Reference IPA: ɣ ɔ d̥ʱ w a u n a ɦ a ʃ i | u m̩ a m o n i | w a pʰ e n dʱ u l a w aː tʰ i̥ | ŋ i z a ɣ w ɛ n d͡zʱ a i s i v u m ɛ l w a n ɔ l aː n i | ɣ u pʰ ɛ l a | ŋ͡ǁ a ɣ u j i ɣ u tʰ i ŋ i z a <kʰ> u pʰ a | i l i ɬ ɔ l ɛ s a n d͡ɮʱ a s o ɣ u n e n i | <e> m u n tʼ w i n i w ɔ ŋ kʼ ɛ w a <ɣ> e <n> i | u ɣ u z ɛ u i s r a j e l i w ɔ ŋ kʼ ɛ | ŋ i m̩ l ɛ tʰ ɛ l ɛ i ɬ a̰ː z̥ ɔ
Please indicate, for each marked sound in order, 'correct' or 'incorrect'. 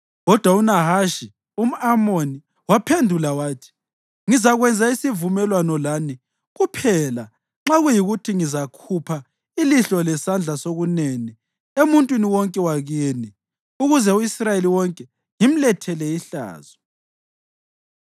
correct, correct, correct, correct

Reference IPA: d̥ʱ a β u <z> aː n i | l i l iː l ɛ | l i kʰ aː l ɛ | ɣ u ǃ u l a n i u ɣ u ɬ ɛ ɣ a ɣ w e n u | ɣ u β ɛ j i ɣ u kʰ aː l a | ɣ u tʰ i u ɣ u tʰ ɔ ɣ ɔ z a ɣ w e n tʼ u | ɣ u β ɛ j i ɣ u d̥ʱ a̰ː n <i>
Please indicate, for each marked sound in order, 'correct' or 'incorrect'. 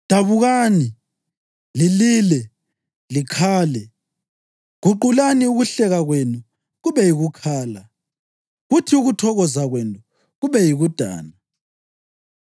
incorrect: ɣ, incorrect: a

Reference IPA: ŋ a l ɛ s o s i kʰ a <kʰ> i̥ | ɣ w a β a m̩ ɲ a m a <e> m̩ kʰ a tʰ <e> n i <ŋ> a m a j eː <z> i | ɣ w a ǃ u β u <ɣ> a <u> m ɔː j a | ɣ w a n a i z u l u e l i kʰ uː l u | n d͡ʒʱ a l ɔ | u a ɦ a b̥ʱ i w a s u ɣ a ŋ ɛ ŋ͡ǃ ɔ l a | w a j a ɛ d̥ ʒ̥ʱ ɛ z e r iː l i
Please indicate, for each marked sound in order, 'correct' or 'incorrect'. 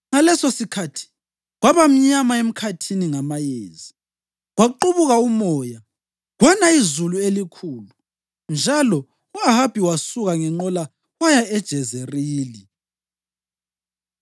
incorrect: tʰ, correct, incorrect: i, correct, correct, correct, correct

